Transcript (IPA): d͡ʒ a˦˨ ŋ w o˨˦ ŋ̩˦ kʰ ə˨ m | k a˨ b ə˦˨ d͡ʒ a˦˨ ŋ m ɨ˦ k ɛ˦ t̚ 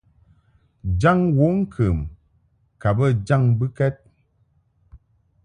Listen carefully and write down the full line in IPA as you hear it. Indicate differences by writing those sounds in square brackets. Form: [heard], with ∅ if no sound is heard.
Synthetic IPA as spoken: d͡ʒ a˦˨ ŋ w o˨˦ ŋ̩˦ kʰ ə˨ m | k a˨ b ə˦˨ d͡ʒ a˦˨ ŋ [b] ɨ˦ k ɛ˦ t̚